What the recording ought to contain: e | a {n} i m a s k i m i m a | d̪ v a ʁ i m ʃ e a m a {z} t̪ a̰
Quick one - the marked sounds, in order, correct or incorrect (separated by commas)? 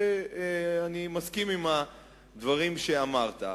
correct, incorrect